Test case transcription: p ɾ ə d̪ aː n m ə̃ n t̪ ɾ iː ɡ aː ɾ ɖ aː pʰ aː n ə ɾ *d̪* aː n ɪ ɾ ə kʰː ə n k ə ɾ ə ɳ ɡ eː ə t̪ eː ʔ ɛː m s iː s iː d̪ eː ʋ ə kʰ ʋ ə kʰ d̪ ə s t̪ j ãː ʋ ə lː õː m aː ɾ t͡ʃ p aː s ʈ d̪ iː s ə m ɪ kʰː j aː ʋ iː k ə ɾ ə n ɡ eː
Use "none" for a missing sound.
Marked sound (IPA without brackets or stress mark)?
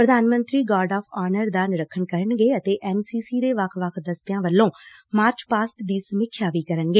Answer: d̪